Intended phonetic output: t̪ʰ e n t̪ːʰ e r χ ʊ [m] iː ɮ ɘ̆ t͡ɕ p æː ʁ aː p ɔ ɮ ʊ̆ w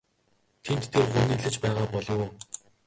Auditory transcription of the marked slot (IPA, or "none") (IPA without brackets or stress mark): n